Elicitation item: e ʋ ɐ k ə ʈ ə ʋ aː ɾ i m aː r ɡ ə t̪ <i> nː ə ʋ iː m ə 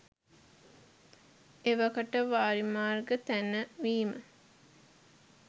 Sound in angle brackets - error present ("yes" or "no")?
yes